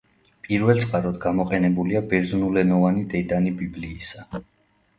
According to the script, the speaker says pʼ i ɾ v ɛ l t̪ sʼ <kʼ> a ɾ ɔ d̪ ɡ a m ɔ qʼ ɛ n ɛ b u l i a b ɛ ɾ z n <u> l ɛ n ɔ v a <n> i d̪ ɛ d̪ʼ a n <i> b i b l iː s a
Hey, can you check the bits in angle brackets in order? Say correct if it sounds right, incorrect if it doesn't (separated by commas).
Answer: incorrect, correct, correct, correct